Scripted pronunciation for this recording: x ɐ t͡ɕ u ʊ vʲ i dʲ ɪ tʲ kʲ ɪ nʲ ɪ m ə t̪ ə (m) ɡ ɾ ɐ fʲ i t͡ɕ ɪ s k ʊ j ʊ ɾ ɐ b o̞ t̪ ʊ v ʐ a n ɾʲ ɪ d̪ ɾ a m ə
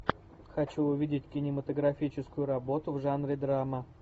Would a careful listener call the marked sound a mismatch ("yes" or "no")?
yes